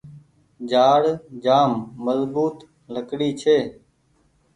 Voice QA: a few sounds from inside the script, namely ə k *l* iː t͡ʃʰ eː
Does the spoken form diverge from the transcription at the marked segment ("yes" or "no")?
yes